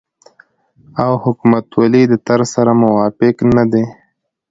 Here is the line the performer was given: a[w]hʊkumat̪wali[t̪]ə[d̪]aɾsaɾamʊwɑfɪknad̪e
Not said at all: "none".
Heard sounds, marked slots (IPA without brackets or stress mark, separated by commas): w, d̪, t̪